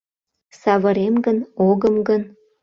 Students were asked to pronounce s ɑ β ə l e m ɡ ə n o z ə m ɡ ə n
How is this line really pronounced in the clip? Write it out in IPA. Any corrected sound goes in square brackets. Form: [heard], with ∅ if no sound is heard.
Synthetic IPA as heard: s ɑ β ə [ɾ] e m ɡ ə n o [ɣ] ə m ɡ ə n